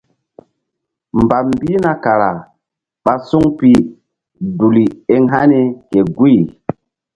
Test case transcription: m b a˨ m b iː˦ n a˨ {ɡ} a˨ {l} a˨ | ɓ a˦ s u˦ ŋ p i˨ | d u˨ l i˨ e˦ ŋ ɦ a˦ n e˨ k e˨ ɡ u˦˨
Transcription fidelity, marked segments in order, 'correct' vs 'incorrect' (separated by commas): incorrect, incorrect